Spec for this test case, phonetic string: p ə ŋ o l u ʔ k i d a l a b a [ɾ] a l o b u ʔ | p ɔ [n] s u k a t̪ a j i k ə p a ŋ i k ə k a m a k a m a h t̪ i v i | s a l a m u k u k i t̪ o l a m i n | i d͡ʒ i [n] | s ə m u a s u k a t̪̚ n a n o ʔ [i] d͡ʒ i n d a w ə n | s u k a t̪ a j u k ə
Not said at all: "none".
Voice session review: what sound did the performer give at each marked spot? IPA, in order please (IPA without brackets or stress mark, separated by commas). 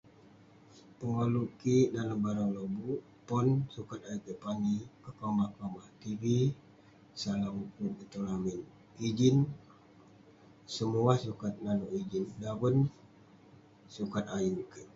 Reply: ɾ, n, n, i